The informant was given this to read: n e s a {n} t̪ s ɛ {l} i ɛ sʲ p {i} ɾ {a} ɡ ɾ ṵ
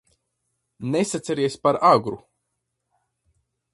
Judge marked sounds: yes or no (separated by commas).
no, no, no, yes